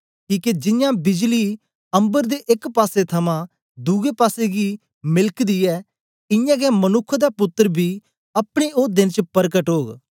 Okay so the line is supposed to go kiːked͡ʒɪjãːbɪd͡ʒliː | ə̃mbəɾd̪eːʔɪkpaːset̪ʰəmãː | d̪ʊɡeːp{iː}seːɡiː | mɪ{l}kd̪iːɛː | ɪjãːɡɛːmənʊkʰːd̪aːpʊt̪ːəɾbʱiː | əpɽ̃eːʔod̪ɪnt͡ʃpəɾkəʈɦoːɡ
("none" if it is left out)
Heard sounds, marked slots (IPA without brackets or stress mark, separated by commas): aː, l